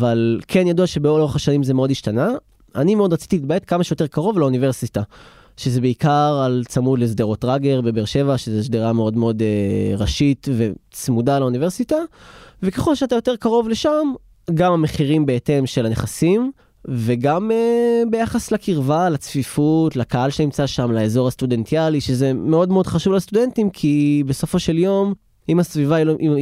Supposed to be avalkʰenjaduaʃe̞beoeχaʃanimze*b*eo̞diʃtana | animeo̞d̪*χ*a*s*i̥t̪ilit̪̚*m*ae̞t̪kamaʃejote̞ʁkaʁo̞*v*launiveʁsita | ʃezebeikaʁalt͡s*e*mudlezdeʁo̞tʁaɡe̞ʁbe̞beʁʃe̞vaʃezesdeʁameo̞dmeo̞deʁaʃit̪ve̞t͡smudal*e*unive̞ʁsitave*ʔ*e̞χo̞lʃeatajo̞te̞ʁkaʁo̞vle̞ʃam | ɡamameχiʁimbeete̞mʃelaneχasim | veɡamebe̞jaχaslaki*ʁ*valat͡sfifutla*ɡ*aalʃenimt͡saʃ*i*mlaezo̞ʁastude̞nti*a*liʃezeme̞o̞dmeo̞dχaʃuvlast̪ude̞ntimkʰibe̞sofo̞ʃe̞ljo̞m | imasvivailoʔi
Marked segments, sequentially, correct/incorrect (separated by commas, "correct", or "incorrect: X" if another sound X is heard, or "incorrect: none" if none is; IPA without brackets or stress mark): incorrect: m, incorrect: ʁ, incorrect: t͡s, incorrect: b, correct, incorrect: a, incorrect: a, incorrect: k, correct, incorrect: k, incorrect: a, correct